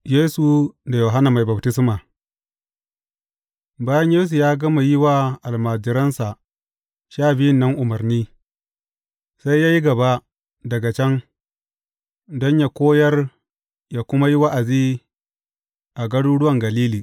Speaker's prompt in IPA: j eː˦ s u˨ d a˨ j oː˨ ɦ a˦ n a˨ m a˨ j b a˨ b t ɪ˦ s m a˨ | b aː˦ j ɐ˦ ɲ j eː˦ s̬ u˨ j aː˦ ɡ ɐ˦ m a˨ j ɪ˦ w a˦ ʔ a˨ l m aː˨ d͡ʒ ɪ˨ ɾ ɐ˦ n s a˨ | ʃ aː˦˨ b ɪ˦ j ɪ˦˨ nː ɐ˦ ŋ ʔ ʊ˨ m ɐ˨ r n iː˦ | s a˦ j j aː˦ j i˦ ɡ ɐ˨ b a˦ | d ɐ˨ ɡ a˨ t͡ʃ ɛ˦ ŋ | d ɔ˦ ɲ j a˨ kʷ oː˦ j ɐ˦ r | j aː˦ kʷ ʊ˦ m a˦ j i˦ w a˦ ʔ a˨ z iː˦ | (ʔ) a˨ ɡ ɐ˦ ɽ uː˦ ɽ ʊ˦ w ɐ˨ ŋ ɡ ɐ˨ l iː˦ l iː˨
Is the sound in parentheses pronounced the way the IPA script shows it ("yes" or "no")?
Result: yes